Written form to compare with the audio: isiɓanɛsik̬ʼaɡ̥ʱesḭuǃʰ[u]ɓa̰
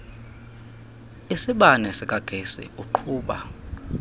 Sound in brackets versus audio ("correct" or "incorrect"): incorrect